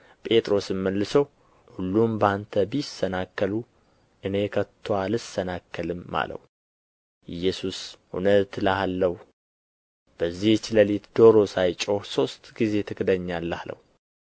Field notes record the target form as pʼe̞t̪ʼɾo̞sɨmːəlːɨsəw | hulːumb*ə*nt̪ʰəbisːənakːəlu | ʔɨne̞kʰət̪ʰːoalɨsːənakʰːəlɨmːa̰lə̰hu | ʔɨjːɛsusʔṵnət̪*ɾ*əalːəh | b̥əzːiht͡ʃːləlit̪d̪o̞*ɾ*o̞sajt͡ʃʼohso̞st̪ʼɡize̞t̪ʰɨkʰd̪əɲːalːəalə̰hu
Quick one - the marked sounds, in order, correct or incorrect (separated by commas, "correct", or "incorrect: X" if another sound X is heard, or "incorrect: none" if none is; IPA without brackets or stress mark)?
incorrect: a, incorrect: l, correct